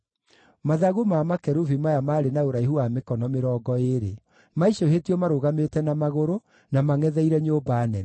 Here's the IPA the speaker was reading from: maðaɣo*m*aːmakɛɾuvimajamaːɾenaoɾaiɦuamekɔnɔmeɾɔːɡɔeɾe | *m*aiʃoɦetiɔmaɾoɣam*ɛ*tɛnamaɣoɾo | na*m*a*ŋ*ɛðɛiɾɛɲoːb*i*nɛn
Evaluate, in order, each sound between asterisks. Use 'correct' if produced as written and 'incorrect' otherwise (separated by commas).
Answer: correct, correct, incorrect, correct, correct, incorrect